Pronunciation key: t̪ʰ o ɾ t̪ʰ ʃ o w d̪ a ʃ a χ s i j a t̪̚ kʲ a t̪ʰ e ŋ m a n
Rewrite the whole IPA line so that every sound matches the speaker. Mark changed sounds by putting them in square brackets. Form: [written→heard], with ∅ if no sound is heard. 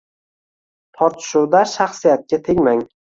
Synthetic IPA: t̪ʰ [o→ɒ] ɾ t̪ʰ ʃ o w d̪ a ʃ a χ s i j a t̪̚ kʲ a t̪ʰ e ŋ m a [n→ŋ]

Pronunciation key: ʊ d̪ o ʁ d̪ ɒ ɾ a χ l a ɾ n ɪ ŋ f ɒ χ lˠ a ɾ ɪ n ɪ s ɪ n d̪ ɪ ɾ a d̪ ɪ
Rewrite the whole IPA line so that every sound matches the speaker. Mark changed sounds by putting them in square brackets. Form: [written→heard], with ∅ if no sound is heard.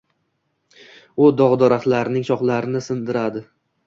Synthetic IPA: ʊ d̪ [o→ɒ] ʁ d̪ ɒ ɾ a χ l a ɾ n ɪ ŋ [f→ʃ] ɒ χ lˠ a ɾ ɪ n ɪ s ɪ n d̪ ɪ ɾ a d̪ ɪ

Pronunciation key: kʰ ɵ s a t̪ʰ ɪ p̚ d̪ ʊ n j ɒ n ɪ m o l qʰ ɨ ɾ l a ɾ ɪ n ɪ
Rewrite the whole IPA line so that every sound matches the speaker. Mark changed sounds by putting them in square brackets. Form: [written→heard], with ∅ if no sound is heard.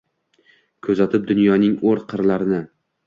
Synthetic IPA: kʰ ɵ [s→z] a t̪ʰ ɪ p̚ d̪ ʊ n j ɒ n ɪ [m→ŋ] o [l→ɾ] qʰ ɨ ɾ l a ɾ ɪ n ɪ

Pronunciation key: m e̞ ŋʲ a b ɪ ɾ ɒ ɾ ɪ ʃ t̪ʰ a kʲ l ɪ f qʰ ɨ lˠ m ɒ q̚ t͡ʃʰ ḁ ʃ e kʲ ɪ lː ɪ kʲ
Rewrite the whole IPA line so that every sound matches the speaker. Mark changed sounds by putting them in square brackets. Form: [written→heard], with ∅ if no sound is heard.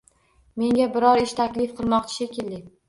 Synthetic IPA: m e̞ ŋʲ a b ɪ ɾ ɒ ɾ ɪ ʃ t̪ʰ a kʲ l ɪ f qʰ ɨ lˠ m ɒ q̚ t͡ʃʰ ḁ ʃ e kʲ ɪ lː ɪ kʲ

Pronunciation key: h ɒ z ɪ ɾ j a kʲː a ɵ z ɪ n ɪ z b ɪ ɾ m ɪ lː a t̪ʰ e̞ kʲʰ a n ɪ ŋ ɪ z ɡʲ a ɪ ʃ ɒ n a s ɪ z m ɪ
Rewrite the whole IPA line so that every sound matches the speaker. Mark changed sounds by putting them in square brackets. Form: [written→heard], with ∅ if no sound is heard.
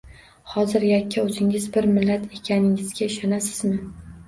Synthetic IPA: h ɒ z ɪ ɾ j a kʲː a ɵ z ɪ [n→ŋ] ɪ z b ɪ ɾ m ɪ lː a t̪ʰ e̞ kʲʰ a n ɪ ŋ ɪ z ɡʲ a ɪ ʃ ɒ n a s ɪ z m ɪ

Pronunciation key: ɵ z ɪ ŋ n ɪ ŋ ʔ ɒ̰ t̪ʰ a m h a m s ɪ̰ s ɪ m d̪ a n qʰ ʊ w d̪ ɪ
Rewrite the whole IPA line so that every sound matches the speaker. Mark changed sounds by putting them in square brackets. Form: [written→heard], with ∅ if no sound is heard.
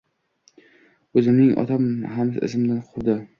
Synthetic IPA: ɵ z ɪ [ŋ→m] n ɪ ŋ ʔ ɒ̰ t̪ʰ a m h a m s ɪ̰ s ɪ m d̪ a n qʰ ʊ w d̪ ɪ

